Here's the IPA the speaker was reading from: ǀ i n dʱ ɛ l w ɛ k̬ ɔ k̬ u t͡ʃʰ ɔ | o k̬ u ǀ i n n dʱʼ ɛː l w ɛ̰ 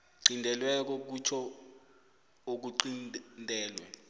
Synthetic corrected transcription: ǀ i n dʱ ɛ l w ɛ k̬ ɔ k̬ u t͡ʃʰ ɔ | o k̬ u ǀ i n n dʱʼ ɛː l w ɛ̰